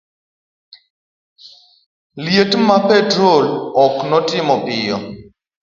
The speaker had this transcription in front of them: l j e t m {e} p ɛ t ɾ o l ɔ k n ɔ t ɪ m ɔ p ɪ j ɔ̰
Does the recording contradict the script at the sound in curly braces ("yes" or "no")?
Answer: yes